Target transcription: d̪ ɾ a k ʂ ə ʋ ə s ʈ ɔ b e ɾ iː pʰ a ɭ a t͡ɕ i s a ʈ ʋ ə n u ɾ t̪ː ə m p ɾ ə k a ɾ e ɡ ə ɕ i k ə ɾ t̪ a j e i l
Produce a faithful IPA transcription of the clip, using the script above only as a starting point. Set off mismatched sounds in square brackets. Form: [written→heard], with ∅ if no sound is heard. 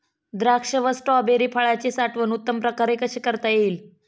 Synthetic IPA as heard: d̪ ɾ a k ʂ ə ʋ ə s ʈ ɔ b e ɾ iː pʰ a ɭ a t͡ɕ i s a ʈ ʋ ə n u [ɾ→∅] t̪ː ə m p ɾ ə k a ɾ e [ɡ→k] ə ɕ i k ə ɾ t̪ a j e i l